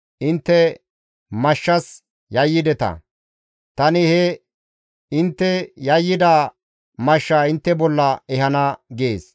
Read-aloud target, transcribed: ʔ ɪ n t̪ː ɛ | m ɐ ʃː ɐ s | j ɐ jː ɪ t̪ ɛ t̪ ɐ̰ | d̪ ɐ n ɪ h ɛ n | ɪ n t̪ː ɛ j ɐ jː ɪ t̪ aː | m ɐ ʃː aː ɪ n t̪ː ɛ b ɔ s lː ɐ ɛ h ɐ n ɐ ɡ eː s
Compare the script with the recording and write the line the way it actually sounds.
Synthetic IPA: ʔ ɪ n t̪ː ɛ | m ɐ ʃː ɐ s | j ɐ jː ɪ d̪ ɛ t̪ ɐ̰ | t̪ ɐ n ɪ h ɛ | ɪ n t̪ː ɛ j ɐ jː ɪ d̪ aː | m ɐ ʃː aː ɪ n t̪ː ɛ b ɔ lː ɐ ɛ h ɐ n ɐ ɡ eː s